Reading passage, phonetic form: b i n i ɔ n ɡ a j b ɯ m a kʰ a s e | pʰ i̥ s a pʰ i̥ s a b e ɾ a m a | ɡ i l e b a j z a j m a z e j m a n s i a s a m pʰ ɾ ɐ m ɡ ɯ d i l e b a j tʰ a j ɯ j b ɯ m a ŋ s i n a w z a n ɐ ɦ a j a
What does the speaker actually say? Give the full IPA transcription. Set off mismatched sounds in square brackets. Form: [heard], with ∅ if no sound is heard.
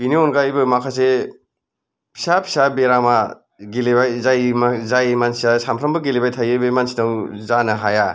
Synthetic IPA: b i n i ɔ n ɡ a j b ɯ m a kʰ a s e | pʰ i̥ s a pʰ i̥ s a b e ɾ a m a | ɡ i l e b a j z a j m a z [a] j m a n s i a s a m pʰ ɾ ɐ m [b] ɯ [ɡ] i l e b a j tʰ a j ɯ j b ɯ m a [n] s i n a w z a n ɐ ɦ a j a